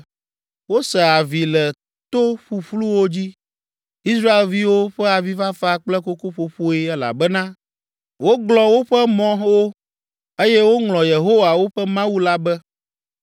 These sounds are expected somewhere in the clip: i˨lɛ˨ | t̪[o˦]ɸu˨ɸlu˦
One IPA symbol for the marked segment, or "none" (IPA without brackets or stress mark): o˦